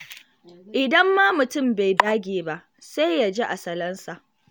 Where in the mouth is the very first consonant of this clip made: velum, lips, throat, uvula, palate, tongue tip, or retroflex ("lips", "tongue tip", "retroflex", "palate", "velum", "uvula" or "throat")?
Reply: throat